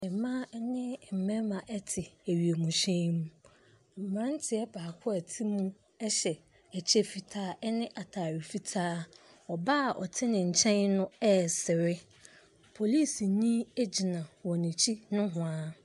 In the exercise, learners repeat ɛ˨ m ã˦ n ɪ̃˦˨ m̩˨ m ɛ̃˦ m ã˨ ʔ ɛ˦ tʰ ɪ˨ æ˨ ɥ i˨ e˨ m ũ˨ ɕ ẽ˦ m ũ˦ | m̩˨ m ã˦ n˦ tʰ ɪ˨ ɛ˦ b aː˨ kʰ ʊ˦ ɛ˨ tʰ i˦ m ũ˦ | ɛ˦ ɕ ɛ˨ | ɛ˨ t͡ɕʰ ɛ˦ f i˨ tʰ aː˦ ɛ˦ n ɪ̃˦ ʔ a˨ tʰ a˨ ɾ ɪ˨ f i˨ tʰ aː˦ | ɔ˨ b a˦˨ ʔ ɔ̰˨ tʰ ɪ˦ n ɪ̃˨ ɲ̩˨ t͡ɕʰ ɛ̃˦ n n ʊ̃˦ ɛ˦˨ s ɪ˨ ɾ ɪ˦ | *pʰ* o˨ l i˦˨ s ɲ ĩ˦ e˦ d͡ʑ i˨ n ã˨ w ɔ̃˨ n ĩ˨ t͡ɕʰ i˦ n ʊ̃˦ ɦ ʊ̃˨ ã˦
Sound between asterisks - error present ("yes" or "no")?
no